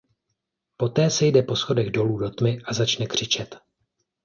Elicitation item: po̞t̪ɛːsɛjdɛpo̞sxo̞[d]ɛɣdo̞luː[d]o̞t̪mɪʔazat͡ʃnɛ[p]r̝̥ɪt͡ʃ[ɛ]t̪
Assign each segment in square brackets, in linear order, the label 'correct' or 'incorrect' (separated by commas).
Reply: correct, correct, incorrect, correct